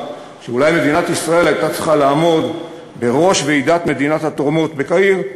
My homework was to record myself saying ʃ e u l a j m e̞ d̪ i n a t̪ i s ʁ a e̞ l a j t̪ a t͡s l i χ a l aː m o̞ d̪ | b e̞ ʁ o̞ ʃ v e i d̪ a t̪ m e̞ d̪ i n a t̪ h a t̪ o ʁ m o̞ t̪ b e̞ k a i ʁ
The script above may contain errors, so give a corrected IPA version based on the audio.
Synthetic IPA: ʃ e u l a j m e̞ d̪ i n a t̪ i s ʁ a e̞ l a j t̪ a t͡s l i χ a l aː m o̞ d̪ | b e̞ ʁ o̞ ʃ v e i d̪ a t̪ m e̞ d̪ i n a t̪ h a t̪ o ʁ m o̞ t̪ b e̞ k a i ʁ